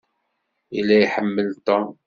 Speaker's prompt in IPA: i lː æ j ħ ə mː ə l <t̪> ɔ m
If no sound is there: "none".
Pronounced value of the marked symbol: t̪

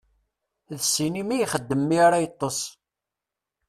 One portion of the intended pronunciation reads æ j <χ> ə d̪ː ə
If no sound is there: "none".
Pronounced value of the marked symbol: χ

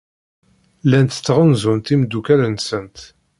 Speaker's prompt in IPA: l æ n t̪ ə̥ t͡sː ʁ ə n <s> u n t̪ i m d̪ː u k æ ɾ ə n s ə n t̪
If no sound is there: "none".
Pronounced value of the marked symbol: z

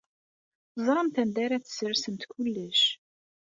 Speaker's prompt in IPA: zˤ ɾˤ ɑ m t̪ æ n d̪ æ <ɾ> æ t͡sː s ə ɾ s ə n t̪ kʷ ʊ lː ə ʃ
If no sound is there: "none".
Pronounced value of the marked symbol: ɾ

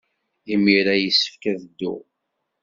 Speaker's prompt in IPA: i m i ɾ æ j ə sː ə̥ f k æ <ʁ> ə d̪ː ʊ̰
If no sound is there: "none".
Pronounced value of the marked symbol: ð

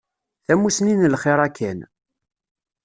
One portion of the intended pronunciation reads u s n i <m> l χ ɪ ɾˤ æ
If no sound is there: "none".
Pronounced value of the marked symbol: n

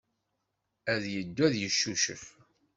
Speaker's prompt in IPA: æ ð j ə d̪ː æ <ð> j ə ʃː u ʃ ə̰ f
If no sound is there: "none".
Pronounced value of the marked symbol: ð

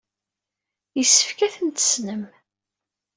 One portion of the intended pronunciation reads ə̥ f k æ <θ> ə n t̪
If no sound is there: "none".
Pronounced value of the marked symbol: θ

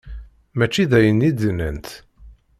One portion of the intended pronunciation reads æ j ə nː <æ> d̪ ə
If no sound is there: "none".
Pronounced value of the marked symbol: i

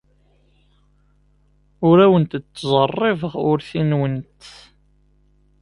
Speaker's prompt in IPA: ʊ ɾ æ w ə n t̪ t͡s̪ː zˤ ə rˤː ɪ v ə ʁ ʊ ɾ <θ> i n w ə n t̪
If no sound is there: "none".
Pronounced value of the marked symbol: θ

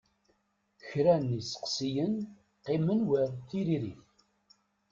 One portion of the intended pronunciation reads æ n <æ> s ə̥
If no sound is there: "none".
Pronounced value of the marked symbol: i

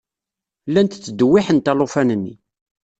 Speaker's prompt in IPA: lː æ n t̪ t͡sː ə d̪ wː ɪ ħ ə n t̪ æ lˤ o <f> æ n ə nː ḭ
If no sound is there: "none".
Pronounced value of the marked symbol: f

